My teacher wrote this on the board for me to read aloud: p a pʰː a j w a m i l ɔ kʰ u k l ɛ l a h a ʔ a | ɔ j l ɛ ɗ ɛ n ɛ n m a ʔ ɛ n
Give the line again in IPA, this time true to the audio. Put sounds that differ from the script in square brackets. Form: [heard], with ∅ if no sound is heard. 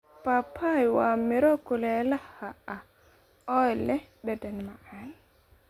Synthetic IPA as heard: p a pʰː a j w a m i [ɾ] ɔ [k] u [∅] l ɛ l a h a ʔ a | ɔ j l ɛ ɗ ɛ [d] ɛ n m a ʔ [a] n